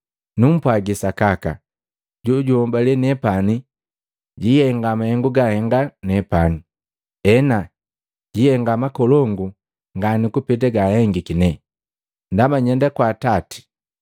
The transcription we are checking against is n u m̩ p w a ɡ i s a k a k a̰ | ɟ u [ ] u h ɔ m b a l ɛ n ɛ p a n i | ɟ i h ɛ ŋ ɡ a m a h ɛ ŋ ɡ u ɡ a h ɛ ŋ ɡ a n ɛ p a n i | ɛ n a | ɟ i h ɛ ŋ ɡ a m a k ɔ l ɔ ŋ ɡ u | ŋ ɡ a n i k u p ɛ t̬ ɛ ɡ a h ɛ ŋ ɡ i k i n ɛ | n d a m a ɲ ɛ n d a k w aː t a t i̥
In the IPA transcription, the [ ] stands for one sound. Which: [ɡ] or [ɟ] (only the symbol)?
ɟ